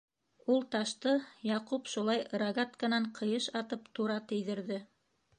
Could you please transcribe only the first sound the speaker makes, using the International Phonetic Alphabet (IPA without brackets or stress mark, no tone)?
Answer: u